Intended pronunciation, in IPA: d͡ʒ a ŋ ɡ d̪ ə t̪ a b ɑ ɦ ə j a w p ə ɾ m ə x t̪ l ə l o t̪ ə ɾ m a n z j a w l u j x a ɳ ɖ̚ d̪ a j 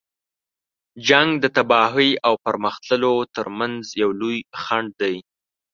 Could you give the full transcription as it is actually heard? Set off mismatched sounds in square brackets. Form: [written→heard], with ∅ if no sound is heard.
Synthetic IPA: d͡ʒ a ŋ ɡ d̪ ə t̪ a b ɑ ɦ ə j a w p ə ɾ m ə x t̪ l ə l o t̪ ə ɾ m a n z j a w l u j x a ɳ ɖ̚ d̪ a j